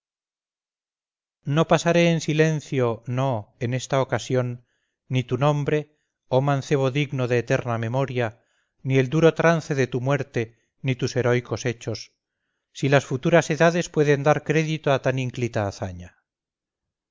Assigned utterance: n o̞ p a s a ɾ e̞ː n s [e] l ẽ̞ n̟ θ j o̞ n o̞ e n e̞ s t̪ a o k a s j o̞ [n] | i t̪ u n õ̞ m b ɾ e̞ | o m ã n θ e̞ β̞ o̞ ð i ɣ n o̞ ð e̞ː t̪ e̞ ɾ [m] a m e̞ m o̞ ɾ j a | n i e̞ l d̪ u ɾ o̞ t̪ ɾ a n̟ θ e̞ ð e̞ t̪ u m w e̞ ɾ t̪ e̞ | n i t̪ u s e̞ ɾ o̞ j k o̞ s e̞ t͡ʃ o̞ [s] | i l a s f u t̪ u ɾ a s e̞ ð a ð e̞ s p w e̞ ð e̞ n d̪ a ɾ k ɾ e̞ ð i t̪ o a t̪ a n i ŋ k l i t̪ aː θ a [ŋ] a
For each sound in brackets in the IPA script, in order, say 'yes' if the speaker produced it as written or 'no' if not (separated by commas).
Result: no, no, no, no, no